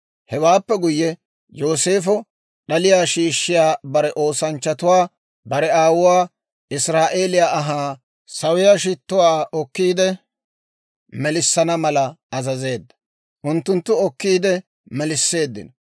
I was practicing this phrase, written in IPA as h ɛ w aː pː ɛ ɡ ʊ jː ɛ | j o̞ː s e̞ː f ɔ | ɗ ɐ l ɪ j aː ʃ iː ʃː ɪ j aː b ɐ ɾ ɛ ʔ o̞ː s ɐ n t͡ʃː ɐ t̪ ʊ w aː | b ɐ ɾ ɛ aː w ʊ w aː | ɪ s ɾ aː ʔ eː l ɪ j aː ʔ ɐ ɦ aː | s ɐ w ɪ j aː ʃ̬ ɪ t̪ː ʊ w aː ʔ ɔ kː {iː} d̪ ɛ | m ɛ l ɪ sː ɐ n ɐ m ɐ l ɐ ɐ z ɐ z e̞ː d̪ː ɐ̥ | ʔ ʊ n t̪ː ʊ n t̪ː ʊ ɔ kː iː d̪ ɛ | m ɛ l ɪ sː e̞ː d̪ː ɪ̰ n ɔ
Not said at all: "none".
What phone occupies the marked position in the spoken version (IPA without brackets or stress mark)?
iː